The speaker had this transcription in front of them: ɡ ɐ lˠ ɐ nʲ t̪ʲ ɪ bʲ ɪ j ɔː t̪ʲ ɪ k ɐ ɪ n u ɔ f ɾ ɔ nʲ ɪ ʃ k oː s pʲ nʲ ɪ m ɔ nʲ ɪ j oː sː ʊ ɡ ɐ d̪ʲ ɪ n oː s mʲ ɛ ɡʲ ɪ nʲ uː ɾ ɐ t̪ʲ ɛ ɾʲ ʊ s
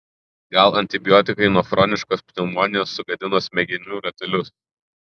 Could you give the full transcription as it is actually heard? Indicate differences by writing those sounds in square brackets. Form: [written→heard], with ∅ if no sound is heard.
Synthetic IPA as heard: ɡ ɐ lˠ ɐ nʲ t̪ʲ ɪ bʲ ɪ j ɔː t̪ʲ ɪ k ɐ ɪ n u ɔ f ɾ ɔ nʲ ɪ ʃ k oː s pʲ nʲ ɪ m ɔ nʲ ɪ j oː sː ʊ ɡ ɐ d̪ʲ ɪ n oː s mʲ ɛ ɡʲ ɪ nʲ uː ɾ ɐ t̪ʲ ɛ [ɾʲ→lʲ] ʊ s